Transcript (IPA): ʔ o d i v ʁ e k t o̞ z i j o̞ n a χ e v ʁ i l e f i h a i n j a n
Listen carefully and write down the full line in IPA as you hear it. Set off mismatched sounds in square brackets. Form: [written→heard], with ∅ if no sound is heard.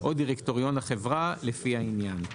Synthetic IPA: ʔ o d i [v→∅] ʁ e k t o̞ [z→ʁ] i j o̞ n a χ e v ʁ [i→a] l e f i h a i n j a n

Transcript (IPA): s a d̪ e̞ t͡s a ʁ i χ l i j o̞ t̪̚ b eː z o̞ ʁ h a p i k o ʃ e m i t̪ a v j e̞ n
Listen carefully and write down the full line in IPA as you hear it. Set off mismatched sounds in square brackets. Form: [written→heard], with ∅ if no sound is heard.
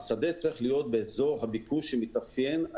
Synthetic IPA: s a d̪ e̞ t͡s a ʁ i χ l i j o̞ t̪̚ b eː z o̞ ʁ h a [p→b] i k [o→u] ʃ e m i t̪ a [v→f] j e̞ n

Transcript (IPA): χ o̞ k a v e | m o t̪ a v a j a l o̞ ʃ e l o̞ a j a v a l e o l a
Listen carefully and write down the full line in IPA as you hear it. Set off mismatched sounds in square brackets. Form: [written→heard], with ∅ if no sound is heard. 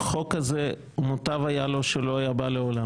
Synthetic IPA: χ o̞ k a [v→z] e | m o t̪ a v a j a l o̞ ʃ e l o̞ a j a [v→b] a l e o l a

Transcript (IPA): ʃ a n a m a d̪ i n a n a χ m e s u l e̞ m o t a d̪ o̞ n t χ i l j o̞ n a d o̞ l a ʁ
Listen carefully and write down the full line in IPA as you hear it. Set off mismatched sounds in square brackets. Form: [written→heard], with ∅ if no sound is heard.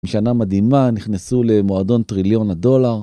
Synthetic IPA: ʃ a n a m a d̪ i [n→m] a n [a→i] χ [m→n] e s u l e̞ m o [t→∅] a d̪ o̞ n t [χ→ʁ] i l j o̞ n a d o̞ l a ʁ

